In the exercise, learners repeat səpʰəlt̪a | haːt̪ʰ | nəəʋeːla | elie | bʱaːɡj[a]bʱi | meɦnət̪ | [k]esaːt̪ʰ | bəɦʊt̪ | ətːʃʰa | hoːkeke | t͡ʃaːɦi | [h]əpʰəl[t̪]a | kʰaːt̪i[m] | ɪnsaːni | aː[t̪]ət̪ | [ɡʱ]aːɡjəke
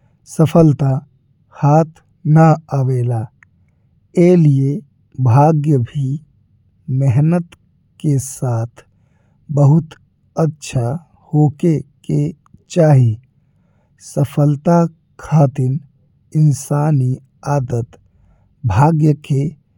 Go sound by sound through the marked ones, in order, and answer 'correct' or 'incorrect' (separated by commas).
incorrect, correct, incorrect, correct, incorrect, incorrect, incorrect